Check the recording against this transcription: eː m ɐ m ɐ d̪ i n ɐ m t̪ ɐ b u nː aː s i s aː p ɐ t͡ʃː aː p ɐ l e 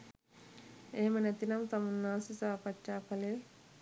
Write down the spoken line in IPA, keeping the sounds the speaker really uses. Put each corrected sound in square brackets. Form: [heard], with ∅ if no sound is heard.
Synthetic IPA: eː m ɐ [n] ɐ [t̪] i n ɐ m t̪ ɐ [m] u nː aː s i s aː p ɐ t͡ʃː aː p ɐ l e